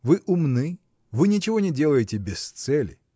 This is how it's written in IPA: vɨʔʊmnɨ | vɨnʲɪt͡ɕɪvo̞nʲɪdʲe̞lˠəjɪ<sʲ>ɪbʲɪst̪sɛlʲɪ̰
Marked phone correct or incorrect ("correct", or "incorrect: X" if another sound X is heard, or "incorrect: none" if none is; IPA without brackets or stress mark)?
incorrect: tʲ